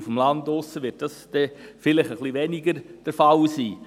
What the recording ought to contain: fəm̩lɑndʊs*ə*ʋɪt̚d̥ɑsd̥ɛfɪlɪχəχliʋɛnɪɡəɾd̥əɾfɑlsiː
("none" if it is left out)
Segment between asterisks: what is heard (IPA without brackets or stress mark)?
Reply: ə